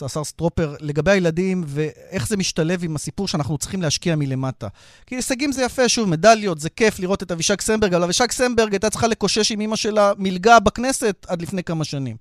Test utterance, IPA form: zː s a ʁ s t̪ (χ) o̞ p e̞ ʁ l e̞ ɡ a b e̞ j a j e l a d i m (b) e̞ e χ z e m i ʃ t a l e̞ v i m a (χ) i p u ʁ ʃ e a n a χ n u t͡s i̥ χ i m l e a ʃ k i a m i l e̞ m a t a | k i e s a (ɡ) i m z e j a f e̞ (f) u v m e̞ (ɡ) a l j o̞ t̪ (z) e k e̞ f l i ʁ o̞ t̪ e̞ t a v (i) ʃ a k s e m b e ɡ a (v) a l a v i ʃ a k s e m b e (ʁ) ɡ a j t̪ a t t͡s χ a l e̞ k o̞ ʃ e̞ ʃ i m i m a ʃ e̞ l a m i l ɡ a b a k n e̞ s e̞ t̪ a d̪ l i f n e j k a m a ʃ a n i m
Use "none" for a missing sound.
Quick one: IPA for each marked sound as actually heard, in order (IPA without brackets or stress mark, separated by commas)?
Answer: ʁ, v, s, ɡ, ʃ, d, z, i, v, ʁ